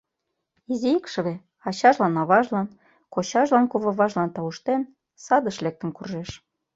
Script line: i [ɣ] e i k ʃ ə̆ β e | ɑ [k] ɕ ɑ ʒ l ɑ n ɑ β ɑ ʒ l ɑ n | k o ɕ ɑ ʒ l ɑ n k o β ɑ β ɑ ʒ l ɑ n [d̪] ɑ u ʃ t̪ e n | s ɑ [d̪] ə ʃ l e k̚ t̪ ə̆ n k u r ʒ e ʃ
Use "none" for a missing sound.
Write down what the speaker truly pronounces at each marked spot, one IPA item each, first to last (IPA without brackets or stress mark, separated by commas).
z, none, t̪, d̪